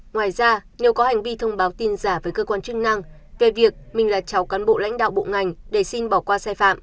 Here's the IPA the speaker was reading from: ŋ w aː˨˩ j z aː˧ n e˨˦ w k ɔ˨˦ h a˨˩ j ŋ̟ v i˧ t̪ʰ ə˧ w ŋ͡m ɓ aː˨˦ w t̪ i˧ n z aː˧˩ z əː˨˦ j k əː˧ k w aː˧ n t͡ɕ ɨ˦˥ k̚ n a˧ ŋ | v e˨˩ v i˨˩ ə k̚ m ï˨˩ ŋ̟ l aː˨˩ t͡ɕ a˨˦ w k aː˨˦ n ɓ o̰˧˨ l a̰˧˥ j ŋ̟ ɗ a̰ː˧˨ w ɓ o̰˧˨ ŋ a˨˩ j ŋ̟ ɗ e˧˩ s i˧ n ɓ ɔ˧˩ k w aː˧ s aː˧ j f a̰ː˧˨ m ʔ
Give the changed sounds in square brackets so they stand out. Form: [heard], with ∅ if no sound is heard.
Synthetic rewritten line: ŋ w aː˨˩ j z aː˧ n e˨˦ w k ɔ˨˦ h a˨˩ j ŋ̟ v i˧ t̪ʰ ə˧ w ŋ͡m ɓ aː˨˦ w t̪ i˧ n z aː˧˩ [v] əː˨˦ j k əː˧ k w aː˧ n t͡ɕ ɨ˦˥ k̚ n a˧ ŋ | v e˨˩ v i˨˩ ə k̚ m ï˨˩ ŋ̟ l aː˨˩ t͡ɕ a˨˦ w k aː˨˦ n ɓ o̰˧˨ l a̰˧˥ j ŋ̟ ɗ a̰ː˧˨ w ɓ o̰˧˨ ŋ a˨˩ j ŋ̟ ɗ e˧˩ s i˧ n ɓ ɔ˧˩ k w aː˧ s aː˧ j f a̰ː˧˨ m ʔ